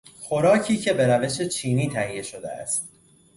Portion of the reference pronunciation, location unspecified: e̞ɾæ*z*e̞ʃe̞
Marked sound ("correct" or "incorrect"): incorrect